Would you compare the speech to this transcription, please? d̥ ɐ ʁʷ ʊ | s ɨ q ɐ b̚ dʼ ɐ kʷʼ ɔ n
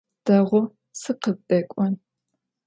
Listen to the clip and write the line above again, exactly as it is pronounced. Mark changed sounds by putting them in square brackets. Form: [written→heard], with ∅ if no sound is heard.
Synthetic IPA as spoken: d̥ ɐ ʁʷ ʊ | s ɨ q [ɐ→ə] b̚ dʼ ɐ kʷʼ ɔ n